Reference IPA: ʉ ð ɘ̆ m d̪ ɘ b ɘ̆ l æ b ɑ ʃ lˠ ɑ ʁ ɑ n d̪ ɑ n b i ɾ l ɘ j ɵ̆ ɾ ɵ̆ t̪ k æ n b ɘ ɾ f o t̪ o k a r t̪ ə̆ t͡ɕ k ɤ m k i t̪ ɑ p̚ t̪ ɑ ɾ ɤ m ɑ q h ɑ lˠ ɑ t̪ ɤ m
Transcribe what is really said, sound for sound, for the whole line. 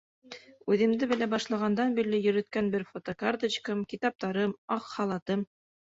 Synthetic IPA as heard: ʉ ð ɘ̆ m d̪ ɘ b ɘ̆ l æ b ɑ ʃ lˠ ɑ ʁ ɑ n d̪ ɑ n b i ɾ l ɘ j ɵ̆ ɾ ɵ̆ t̪ k æ n b ɘ ɾ f o t̪ o k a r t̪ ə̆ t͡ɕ k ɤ m k i t̪ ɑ p̚ t̪ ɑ ɾ ɤ m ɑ q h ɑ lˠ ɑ t̪ ɤ m